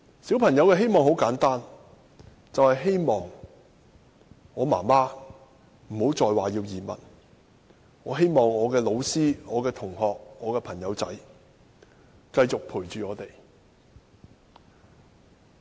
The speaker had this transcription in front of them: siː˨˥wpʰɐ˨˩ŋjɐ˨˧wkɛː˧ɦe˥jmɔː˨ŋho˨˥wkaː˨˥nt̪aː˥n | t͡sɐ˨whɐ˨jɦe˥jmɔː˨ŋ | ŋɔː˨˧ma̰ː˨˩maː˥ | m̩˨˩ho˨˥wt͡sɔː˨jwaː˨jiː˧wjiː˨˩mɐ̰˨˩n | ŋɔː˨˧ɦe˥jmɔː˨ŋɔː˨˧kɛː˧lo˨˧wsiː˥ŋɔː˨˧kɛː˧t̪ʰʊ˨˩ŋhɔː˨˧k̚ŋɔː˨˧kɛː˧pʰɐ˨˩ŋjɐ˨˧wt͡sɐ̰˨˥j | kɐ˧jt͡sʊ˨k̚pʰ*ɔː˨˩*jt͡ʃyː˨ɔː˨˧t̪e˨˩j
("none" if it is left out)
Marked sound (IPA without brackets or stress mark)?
uː˨˩